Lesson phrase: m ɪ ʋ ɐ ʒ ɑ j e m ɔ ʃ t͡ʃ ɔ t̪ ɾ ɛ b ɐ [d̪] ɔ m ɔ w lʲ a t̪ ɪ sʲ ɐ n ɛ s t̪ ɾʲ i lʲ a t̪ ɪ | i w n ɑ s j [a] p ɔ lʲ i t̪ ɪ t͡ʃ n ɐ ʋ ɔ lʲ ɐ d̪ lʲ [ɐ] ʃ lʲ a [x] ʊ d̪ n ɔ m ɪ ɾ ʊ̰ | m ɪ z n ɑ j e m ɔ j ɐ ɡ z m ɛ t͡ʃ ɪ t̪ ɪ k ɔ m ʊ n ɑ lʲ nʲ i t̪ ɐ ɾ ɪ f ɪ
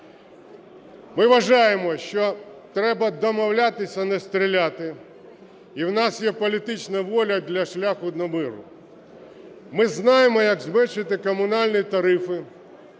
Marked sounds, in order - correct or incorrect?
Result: correct, incorrect: ɛ, correct, correct

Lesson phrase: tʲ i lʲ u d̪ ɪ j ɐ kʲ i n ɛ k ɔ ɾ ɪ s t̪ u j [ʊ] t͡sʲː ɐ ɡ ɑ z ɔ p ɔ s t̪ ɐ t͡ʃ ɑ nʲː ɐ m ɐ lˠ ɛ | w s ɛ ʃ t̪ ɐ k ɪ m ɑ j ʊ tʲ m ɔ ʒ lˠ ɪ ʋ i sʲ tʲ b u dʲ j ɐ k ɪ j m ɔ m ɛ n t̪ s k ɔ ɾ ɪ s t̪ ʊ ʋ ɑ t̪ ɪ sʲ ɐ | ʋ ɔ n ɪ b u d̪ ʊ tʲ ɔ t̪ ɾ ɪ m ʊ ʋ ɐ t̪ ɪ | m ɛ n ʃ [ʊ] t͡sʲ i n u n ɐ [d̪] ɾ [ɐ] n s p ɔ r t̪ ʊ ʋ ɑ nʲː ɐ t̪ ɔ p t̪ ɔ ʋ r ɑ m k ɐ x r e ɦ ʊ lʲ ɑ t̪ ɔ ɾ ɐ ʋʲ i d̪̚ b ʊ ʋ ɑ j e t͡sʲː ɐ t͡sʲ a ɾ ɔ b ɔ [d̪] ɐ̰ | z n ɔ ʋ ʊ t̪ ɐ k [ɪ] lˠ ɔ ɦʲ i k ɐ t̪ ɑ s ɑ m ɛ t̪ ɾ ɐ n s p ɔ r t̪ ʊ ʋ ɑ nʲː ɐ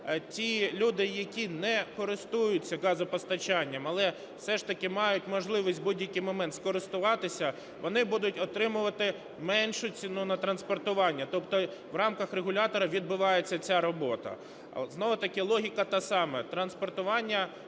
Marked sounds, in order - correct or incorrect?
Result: correct, correct, incorrect: t̪, correct, incorrect: t̪, correct

